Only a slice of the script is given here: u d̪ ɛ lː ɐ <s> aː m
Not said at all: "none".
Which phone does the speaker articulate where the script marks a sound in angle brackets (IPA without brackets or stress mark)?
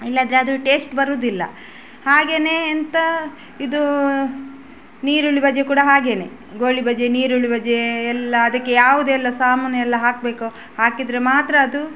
s